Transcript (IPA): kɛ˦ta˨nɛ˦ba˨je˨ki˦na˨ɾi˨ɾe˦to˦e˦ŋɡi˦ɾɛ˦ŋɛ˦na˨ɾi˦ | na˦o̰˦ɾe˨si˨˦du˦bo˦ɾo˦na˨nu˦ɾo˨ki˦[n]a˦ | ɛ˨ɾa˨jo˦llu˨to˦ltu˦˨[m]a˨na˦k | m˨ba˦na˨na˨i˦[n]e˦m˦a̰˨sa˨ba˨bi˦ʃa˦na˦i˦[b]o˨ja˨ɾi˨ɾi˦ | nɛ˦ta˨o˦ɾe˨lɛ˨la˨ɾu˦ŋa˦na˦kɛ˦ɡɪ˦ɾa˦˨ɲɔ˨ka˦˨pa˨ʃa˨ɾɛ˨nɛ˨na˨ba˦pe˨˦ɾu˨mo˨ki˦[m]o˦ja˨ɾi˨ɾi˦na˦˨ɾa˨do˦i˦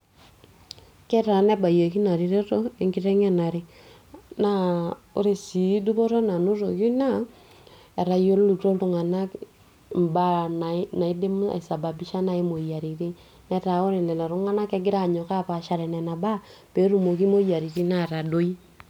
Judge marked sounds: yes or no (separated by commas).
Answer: yes, no, no, no, yes